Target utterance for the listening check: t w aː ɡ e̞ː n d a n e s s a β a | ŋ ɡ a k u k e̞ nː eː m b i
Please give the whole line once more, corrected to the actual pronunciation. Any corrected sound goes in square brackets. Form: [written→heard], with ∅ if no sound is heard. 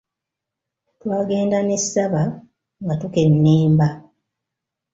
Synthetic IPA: t w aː ɡ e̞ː n d a n e s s a β a | ŋ ɡ a [k→t] u k e̞ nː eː m b [i→a]